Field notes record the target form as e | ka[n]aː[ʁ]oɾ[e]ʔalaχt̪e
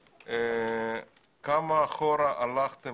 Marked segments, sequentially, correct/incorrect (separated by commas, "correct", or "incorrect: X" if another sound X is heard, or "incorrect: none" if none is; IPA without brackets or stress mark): incorrect: m, incorrect: χ, incorrect: a